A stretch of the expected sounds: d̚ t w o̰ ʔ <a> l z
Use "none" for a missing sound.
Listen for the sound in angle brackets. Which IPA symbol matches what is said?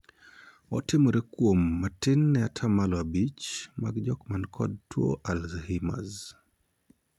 a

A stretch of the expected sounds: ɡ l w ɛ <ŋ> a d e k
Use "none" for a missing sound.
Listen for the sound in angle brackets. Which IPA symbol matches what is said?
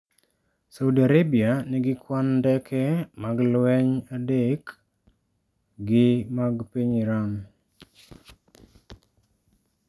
ɲ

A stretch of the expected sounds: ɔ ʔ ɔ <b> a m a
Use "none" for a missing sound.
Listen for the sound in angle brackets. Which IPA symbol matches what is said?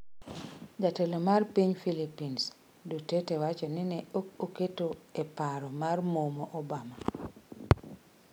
b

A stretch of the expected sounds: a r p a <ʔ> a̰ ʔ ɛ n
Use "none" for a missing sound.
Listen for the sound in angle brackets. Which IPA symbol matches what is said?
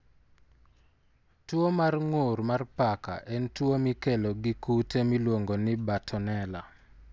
k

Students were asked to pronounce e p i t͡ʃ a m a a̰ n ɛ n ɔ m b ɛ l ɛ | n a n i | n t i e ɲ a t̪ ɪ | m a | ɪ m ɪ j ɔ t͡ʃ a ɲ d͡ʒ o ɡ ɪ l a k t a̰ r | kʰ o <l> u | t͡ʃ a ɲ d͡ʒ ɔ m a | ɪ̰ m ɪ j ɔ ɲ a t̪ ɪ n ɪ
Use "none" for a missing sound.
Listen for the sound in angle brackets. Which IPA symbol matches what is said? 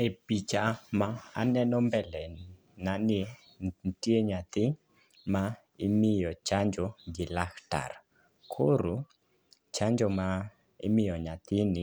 ɾ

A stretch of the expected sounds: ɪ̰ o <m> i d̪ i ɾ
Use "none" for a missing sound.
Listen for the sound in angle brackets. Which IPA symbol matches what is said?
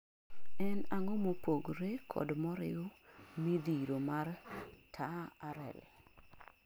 m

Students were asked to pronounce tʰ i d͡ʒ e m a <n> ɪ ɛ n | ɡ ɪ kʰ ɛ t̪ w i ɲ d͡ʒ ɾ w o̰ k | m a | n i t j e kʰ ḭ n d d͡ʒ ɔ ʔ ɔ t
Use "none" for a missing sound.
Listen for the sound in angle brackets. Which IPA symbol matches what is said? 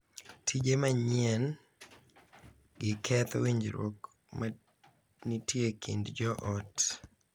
ɲ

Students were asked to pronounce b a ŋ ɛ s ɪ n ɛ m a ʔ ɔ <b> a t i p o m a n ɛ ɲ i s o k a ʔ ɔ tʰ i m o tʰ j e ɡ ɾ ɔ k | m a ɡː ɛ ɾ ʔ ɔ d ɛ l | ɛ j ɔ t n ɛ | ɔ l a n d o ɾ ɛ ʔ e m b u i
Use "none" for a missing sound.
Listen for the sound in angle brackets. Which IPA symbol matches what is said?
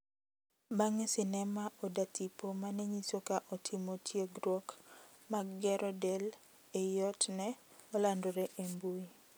d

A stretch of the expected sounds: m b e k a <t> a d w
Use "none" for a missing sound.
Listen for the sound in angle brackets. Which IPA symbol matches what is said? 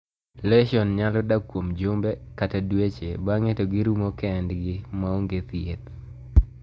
t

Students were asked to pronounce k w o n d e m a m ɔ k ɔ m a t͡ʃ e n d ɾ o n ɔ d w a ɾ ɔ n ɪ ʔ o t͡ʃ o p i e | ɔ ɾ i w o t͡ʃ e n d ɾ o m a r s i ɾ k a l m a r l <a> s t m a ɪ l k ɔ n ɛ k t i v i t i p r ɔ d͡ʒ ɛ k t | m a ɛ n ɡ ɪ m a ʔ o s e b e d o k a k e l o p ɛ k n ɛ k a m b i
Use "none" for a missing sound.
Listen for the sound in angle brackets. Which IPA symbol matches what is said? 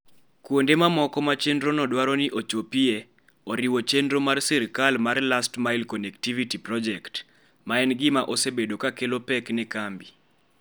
a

